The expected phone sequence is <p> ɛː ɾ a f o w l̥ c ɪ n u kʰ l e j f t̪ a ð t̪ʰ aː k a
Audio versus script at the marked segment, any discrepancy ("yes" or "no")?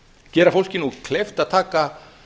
yes